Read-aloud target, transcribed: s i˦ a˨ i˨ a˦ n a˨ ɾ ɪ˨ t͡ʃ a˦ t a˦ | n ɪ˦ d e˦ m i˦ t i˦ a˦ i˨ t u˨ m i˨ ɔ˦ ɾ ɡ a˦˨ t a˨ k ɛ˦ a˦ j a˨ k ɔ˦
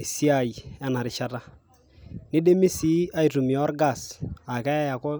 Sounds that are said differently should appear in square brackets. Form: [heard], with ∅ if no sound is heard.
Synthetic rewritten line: s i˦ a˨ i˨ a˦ n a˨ ɾ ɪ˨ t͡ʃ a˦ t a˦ | n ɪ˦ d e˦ m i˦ [s] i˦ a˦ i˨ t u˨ m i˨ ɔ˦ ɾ ɡ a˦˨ [s] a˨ k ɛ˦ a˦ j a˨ k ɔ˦